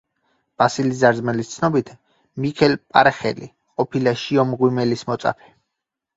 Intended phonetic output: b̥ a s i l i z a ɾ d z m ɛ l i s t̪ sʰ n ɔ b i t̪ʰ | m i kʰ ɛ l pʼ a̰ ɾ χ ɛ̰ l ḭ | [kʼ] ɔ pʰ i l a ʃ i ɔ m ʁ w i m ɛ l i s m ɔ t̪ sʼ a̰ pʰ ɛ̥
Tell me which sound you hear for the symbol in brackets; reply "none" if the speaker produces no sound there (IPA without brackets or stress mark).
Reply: qʼ